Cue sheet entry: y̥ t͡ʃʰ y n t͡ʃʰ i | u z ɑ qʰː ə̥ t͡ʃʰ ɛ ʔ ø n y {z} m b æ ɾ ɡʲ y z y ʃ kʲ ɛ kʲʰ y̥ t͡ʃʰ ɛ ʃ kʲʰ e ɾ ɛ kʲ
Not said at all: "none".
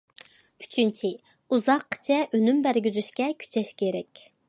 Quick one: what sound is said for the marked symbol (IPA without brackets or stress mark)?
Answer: none